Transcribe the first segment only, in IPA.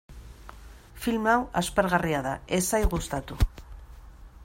f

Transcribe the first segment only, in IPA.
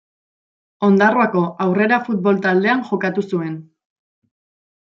o̞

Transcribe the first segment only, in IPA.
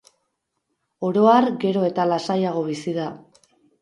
o̞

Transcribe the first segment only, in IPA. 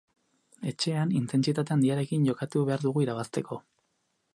e̞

